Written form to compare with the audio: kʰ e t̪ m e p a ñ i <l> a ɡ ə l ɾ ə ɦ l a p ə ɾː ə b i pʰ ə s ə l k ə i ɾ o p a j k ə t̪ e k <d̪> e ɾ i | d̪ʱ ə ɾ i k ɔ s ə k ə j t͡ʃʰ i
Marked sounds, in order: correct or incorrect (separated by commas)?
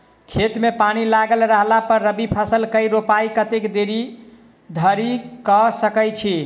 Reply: correct, correct